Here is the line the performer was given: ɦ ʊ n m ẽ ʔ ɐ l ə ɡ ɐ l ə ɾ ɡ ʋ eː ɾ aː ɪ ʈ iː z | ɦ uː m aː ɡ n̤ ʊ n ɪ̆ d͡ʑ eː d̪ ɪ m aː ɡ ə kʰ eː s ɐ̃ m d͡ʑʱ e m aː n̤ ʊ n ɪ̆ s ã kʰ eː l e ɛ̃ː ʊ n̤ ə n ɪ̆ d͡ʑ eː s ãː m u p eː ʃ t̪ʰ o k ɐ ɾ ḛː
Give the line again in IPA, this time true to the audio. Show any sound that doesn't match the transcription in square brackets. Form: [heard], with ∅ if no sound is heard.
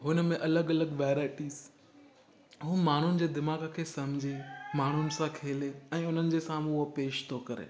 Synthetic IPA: ɦ ʊ n m ẽ ʔ ɐ l ə ɡ ɐ l ə [∅] ɡ ʋ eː ɾ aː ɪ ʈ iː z | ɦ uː m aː [∅] n̤ ʊ n ɪ̆ d͡ʑ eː d̪ ɪ m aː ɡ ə kʰ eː s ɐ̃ m d͡ʑʱ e m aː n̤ ʊ n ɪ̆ s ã kʰ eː l e ɛ̃ː ʊ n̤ ə n ɪ̆ d͡ʑ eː s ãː m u p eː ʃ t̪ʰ o k ɐ ɾ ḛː

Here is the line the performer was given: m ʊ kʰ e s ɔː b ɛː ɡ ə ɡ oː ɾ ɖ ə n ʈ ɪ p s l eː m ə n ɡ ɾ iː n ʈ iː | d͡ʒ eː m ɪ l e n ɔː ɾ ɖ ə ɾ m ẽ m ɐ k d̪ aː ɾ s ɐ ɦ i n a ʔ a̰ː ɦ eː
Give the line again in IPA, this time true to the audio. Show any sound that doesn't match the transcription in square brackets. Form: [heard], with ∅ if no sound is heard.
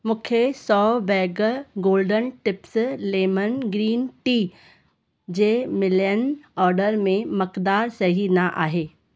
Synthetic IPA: m ʊ kʰ e s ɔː b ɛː ɡ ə ɡ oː [l] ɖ ə n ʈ ɪ p s l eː m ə n ɡ ɾ iː n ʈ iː | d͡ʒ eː m ɪ l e n ɔː ɾ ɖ ə ɾ m ẽ m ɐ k d̪ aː ɾ s ɐ ɦ i n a ʔ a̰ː ɦ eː

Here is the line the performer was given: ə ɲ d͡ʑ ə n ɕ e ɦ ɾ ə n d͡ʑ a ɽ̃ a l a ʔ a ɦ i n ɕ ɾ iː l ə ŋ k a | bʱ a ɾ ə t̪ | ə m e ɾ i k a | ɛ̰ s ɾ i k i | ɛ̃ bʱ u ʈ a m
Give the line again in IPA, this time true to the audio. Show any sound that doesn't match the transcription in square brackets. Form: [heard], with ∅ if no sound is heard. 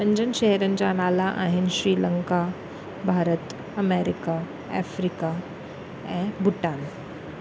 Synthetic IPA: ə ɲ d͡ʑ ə n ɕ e ɦ ɾ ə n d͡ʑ a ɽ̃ a l a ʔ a ɦ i n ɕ ɾ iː l ə ŋ k a | bʱ a ɾ ə t̪ | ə m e ɾ i k a | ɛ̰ [f] ɾ i k [a] | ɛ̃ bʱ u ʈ a [n]

